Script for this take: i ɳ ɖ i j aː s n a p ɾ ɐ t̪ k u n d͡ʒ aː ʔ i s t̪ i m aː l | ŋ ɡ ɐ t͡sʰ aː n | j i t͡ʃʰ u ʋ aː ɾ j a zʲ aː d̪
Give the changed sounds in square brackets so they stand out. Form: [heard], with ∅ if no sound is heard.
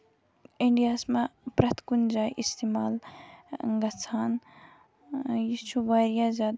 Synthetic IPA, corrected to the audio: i ɳ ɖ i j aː s [m] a p ɾ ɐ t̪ k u n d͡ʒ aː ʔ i s t̪ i m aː l | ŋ ɡ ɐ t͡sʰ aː n | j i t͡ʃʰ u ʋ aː ɾ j a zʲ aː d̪